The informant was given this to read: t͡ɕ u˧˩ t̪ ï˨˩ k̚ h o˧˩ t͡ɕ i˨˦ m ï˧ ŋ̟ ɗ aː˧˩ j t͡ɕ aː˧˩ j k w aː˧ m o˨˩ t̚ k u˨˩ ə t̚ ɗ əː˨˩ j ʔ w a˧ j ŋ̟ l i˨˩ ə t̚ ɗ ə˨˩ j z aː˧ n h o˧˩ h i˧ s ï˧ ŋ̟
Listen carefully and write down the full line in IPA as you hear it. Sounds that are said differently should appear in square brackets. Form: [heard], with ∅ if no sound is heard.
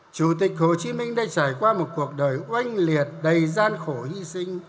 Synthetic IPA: t͡ɕ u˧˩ t̪ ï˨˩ k̚ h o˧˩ t͡ɕ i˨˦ m ï˧ ŋ̟ ɗ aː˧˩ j t͡ɕ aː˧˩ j k w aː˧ m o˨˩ t̚ k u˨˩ ə [k̚] ɗ əː˨˩ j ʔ w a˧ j ŋ̟ l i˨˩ ə t̚ ɗ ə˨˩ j z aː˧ n [x] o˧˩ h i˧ s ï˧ ŋ̟